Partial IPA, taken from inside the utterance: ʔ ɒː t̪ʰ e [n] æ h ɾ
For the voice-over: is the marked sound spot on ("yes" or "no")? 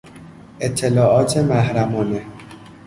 no